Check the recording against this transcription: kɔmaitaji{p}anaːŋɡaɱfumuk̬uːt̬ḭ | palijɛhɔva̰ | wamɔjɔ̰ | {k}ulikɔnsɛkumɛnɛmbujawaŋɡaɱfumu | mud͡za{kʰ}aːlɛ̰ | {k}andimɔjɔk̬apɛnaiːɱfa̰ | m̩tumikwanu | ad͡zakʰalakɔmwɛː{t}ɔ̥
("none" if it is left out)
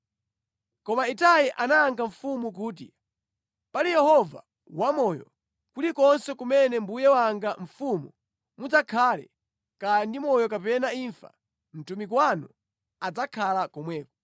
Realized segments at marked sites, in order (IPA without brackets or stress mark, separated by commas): ʔ, k, kʰ, k, k